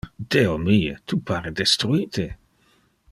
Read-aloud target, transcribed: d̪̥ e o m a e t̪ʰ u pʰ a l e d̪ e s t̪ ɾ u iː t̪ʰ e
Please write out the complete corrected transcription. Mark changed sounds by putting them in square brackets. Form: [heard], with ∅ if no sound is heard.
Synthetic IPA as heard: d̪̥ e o m [i] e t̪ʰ u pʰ a [ɾ] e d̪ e s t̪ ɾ u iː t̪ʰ e